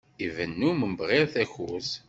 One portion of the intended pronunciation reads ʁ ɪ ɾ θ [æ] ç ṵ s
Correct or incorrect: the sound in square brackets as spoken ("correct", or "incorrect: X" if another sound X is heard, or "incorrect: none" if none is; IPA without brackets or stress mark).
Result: correct